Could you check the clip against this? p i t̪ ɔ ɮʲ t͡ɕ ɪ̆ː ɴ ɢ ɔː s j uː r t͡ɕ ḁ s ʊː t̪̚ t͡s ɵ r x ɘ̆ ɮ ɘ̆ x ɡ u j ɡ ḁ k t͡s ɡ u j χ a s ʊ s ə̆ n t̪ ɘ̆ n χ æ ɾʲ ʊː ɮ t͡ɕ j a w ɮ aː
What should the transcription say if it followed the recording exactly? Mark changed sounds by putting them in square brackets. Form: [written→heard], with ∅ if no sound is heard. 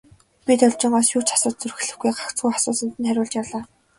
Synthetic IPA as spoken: p i t̪ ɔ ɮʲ t͡ɕ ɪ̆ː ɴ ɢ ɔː s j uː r t͡ɕ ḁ s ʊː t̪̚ t͡s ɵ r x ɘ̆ ɮ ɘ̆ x ɡ u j [ɡ→ɢ] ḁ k t͡s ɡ u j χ a s [ʊ→ʊː] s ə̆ n t̪ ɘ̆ n χ æ ɾʲ ʊː ɮ t͡ɕ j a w ɮ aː